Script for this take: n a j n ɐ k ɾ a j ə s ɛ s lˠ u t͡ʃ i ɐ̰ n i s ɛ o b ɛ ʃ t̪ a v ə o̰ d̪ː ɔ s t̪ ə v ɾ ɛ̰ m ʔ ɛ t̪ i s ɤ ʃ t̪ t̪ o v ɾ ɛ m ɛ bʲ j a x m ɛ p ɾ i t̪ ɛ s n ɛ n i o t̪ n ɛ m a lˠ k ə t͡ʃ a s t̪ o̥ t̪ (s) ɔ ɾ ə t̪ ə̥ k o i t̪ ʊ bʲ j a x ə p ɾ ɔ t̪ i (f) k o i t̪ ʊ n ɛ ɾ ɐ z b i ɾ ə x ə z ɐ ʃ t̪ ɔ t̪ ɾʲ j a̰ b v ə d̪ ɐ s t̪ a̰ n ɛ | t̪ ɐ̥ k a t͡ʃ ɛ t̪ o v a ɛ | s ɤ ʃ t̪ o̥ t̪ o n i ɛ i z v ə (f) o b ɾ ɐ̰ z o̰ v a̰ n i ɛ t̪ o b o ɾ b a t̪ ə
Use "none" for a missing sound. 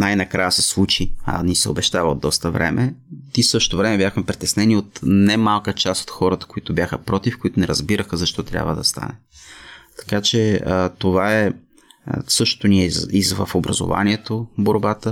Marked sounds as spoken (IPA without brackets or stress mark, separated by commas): x, f, f